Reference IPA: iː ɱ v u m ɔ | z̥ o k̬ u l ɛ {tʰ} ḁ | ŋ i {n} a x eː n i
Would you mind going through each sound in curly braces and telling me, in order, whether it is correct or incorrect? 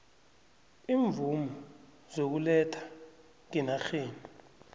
correct, correct

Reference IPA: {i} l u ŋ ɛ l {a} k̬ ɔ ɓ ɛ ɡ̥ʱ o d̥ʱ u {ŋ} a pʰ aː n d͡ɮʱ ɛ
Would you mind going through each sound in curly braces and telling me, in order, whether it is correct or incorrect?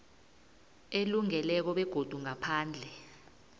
incorrect: e, incorrect: ɛ, correct

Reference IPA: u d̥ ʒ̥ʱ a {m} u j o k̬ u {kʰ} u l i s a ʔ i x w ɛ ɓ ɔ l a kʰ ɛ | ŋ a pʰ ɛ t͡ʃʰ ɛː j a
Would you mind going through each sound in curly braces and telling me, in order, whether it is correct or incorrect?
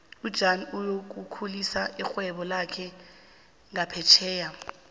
incorrect: n, correct

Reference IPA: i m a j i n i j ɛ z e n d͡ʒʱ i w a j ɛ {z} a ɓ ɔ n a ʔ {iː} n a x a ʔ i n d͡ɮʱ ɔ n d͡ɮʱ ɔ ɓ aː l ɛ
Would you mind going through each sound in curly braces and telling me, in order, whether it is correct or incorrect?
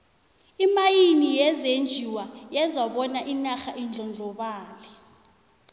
correct, incorrect: i

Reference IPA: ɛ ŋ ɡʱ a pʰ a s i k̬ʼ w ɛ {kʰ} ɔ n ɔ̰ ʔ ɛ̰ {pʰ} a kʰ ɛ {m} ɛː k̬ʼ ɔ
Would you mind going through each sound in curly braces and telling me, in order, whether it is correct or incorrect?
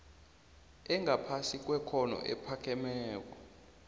correct, correct, correct

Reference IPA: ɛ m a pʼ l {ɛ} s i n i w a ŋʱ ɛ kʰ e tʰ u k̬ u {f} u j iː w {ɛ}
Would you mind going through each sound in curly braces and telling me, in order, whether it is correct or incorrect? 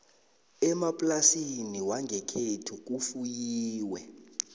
incorrect: a, correct, correct

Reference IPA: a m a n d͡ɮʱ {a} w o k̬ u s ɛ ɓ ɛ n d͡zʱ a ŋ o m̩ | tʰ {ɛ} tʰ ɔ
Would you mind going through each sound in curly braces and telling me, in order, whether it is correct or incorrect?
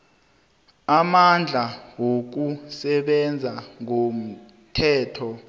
correct, incorrect: ɛː

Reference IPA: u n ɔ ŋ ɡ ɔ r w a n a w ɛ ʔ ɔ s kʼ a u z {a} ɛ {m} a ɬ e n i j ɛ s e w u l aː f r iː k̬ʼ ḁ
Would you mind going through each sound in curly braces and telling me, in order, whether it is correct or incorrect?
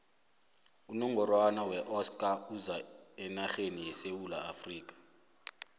correct, incorrect: n

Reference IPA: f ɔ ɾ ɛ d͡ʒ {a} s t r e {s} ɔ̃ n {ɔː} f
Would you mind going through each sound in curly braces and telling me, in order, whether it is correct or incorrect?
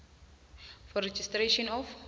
incorrect: i, incorrect: ʃ, incorrect: ɔ

